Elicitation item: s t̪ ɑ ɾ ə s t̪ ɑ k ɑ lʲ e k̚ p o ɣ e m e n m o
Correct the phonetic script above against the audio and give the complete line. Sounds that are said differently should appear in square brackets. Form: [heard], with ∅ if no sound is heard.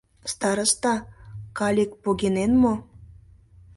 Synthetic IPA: s t̪ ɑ ɾ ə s t̪ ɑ k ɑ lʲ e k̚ p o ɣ e [n] e n m o